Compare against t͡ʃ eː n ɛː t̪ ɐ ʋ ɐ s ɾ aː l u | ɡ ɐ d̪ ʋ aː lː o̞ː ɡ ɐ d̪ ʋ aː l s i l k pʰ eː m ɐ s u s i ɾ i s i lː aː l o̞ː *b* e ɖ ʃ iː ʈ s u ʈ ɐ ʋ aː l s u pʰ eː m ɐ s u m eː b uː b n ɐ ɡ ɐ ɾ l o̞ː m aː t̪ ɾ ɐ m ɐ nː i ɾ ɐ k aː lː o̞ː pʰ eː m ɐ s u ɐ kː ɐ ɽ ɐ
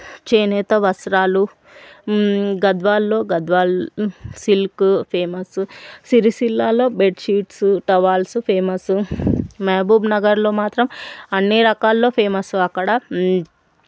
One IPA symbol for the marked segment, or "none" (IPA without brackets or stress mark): b